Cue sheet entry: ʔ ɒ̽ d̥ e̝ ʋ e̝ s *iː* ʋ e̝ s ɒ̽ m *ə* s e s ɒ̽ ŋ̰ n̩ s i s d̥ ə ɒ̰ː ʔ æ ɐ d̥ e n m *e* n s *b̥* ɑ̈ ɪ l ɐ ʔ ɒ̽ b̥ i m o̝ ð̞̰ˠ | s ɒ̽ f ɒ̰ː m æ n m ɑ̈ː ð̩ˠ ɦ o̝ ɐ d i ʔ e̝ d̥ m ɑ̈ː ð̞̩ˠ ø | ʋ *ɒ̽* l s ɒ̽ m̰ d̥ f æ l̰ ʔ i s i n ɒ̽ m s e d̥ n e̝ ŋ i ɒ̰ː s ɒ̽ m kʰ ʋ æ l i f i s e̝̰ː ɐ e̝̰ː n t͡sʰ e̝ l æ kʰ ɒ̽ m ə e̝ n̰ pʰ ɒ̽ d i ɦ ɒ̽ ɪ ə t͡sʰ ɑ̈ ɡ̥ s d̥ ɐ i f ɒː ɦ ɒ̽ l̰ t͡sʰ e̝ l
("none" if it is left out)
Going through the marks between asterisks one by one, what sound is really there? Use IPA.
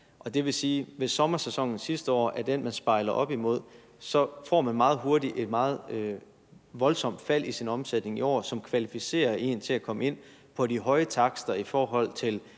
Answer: iː, ɐ, æ, b̥, ɒ̽

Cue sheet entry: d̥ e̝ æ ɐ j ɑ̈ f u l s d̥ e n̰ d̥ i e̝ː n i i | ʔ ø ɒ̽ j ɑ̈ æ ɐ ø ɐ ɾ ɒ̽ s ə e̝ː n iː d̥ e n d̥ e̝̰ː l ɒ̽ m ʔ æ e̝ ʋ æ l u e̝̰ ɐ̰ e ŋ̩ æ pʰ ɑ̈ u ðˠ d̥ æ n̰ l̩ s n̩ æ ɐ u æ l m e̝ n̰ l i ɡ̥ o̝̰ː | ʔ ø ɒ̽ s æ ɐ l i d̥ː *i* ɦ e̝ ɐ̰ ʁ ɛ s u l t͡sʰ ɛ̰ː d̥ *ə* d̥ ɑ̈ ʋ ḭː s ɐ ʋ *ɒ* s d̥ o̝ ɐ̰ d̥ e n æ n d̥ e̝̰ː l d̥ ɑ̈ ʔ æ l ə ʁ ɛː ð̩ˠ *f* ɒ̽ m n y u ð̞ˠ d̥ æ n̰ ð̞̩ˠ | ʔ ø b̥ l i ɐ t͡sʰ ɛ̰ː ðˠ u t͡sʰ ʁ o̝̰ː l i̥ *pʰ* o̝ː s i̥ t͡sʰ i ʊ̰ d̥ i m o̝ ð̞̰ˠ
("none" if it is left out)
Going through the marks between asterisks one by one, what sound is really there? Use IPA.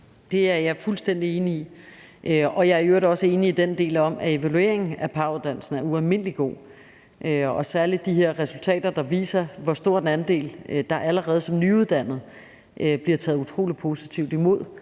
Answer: i, ɐ, ɒ, s, pʰ

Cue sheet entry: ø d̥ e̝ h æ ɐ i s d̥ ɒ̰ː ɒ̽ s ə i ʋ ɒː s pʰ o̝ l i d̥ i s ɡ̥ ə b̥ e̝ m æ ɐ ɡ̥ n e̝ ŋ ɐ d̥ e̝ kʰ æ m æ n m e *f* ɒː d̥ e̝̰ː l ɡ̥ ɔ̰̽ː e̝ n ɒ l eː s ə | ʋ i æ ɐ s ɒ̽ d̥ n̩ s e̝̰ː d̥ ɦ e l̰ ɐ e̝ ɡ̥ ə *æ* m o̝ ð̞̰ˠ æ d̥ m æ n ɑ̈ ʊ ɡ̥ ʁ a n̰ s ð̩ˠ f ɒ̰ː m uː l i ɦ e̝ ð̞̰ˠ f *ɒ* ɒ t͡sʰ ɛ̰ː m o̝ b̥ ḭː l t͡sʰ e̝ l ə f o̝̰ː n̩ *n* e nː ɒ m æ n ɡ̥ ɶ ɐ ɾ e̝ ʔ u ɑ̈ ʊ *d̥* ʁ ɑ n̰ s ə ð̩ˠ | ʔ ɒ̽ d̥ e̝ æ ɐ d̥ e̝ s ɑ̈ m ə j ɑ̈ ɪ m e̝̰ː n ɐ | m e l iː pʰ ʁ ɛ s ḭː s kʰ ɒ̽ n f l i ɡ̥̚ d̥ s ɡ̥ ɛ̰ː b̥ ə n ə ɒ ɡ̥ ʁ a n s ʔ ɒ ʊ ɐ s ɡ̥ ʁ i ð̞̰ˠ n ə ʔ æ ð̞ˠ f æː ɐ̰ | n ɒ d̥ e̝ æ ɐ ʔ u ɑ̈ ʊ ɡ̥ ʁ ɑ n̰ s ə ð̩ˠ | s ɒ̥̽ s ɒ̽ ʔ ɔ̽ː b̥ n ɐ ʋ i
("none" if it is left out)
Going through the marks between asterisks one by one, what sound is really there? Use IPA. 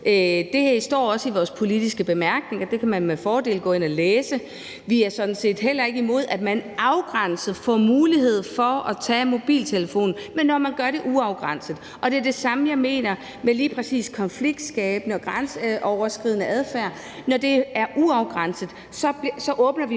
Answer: f, i, ɒ, m, ɡ̥

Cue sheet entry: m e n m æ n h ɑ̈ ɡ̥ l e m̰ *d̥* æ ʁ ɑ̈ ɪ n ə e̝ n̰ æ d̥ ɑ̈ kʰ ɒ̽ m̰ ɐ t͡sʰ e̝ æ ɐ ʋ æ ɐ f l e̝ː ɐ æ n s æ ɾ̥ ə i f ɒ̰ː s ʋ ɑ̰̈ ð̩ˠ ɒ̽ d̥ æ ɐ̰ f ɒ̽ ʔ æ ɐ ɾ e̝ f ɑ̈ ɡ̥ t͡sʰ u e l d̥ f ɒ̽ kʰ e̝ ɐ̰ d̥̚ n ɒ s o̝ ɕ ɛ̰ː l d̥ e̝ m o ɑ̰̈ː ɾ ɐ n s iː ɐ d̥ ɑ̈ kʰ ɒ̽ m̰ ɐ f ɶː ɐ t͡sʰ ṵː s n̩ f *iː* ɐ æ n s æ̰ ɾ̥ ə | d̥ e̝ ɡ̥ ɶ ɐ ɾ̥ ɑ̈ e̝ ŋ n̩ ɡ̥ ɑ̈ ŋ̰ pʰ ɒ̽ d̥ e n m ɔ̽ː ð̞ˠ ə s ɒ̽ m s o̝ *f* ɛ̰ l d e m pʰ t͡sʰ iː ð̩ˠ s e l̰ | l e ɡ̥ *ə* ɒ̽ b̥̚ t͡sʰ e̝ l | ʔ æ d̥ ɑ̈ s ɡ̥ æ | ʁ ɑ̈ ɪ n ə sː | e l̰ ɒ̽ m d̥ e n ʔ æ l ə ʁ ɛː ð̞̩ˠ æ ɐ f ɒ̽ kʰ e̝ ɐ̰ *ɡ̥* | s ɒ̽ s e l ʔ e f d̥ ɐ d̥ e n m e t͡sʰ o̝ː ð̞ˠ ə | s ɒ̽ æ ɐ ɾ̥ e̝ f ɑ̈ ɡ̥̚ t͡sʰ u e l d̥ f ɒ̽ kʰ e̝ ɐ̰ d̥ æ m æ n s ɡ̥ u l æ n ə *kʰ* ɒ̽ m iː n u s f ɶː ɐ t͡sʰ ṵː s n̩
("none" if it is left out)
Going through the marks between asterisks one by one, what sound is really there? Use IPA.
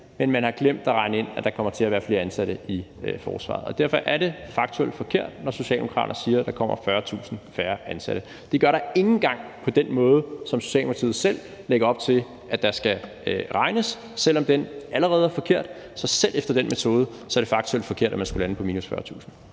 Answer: d̥, æː, ɕ, ɐ, d̥, pʰ

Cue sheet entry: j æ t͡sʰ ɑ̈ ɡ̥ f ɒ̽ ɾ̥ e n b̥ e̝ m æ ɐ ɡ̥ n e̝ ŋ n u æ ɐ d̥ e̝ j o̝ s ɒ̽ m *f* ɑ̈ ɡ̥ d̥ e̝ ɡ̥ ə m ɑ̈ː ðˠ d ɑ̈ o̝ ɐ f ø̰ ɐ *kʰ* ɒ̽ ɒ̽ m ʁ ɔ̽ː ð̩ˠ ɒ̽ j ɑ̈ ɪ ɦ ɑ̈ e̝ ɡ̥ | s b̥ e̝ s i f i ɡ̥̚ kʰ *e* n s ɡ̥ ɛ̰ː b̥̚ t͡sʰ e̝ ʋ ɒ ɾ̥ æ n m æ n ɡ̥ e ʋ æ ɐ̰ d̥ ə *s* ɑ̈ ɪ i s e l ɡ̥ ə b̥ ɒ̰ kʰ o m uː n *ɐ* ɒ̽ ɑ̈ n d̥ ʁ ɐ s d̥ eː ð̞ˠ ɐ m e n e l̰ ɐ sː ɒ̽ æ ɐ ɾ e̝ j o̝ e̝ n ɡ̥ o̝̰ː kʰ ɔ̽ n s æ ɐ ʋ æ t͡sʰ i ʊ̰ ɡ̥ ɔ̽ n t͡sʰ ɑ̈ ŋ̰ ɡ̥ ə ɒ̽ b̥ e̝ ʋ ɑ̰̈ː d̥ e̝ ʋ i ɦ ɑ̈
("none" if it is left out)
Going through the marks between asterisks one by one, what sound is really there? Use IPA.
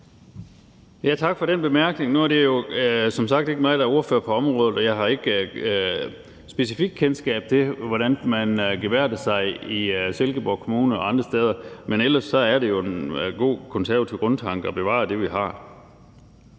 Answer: s, pʰ, e, s, ə

